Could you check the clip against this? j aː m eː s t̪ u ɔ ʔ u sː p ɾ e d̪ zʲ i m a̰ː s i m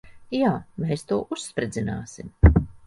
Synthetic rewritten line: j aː m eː s t̪ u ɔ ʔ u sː p ɾ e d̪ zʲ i n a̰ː s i m